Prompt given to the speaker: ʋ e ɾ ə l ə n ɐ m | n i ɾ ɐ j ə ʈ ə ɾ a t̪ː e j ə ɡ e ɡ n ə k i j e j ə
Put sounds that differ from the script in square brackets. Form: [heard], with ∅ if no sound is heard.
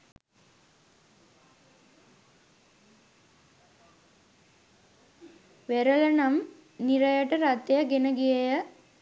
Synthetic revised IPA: ʋ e ɾ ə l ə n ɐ m | n i ɾ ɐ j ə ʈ ə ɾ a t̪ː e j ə ɡ e [∅] n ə [ɡ] i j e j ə